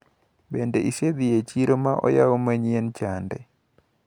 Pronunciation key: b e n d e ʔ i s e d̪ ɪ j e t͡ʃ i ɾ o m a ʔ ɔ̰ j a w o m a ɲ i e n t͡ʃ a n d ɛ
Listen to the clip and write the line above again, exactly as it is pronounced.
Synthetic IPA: b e n d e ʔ i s e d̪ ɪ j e t͡ʃ i ɾ o m a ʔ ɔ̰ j a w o m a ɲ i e n t͡ʃ a n d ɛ

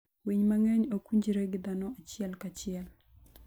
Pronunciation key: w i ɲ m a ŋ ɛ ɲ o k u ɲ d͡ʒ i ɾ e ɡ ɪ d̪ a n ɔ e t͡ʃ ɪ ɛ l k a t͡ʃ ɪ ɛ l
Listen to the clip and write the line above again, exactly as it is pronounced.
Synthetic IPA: w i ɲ m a ŋ ɛ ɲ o k u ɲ d͡ʒ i ɾ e ɡ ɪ d̪ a n ɔ a t͡ʃ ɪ ɛ l k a t͡ʃ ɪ ɛ l

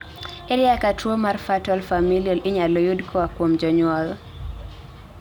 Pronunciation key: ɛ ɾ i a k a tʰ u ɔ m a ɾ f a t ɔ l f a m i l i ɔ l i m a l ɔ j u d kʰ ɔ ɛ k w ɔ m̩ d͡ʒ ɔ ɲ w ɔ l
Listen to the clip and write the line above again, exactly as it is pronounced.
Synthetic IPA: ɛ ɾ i a k a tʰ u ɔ m a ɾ f a t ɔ l f a m i l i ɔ l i ɲ a l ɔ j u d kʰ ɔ a k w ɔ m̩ d͡ʒ ɔ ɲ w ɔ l

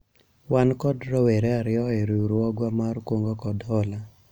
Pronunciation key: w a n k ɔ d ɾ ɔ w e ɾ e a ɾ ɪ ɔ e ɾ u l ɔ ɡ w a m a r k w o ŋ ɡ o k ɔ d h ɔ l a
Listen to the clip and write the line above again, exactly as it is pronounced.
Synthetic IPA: w a n k ɔ d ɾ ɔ w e ɾ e a ɾ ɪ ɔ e ɾ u ɾ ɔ ɡ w a m a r k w o ŋ ɡ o k ɔ d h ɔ l a

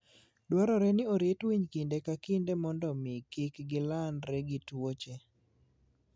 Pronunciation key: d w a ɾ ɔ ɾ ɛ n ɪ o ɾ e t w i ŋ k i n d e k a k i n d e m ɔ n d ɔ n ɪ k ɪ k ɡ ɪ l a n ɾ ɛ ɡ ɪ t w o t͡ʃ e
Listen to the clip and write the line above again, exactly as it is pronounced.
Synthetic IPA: d w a ɾ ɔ ɾ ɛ n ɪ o ɾ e t w i ɲ k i n d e k a k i n d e m ɔ n d ɔ m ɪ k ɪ k ɡ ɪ l a n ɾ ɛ ɡ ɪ t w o t͡ʃ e

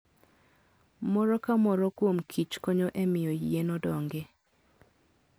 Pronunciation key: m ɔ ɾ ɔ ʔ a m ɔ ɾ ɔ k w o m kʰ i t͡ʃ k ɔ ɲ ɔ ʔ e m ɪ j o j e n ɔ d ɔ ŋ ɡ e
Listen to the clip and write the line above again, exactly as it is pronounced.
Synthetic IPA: m ɔ ɾ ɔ k a m ɔ ɾ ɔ k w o m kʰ i t͡ʃ k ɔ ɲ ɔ ʔ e m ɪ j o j e n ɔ d ɔ ŋ ɡ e

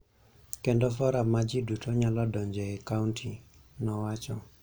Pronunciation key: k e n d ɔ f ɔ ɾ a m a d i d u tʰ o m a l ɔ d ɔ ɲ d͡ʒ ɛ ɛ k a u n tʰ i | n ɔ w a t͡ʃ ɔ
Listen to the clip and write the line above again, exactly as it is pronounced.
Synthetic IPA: k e n d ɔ f ɔ ɾ a m a d͡ʒ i d u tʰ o ɲ a l ɔ d ɔ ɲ d͡ʒ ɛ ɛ k a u n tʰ i | n ɔ w a t͡ʃ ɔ

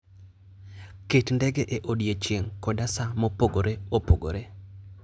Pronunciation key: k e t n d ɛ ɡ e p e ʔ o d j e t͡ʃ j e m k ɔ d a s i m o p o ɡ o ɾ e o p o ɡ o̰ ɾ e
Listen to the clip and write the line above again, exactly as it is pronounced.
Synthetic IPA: k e t n d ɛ ɡ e ʔ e ʔ o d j e t͡ʃ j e ŋ k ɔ d a s a m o p o ɡ o ɾ e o p o ɡ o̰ ɾ e

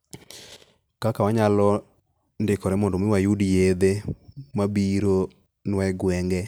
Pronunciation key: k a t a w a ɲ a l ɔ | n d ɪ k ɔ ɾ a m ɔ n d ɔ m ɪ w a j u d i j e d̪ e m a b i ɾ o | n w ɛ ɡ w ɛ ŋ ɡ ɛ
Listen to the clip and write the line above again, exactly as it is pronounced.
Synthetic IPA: k a k a w a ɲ a l ɔ | n d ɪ k ɔ ɾ ɛ m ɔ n d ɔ m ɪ w a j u d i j e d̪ e m a b i ɾ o | n w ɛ ɡ w ɛ ŋ ɡ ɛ

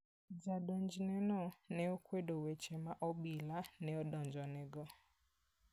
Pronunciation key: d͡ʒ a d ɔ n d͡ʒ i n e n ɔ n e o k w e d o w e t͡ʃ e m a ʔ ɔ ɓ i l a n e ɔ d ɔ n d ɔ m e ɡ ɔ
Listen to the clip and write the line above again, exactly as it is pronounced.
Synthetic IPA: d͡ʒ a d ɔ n d͡ʒ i n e n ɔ n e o k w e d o w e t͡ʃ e m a ʔ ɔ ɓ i l a n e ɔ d ɔ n d͡ʒ ɔ n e ɡ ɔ

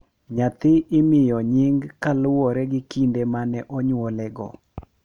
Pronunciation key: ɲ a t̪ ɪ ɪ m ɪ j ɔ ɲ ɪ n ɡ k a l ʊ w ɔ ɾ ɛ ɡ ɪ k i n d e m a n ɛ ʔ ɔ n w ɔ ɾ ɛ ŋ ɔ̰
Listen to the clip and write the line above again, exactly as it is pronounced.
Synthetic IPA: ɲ a t̪ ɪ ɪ m ɪ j ɔ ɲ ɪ ŋ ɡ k a l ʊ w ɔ ɾ ɛ ɡ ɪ k i n d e m a n ɛ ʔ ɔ ɲ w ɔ l ɛ ɡ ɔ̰

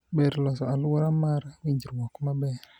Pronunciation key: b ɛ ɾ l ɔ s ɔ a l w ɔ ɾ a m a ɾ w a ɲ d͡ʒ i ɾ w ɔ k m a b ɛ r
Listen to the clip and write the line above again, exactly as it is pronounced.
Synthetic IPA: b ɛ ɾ l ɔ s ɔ a l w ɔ ɾ a m a ɾ w i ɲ d͡ʒ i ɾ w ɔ k m a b ɛ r

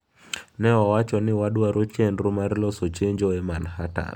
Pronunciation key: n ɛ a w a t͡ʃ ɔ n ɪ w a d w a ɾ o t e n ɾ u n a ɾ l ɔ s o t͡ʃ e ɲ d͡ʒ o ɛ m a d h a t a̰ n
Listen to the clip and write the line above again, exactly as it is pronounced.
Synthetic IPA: n ɛ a w a t͡ʃ ɔ n ɪ w a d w a ɾ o t͡ʃ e n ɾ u m a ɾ l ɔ s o t͡ʃ e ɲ d͡ʒ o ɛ m a n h a t a̰ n

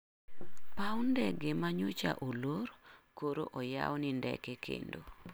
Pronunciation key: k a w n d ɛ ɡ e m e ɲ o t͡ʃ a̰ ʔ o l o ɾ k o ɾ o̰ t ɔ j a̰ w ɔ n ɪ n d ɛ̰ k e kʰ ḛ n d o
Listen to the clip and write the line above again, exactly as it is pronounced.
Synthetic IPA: p a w n d ɛ ɡ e m a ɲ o t͡ʃ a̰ ʔ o l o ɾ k o ɾ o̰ ʔ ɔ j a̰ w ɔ n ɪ n d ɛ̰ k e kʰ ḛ n d o

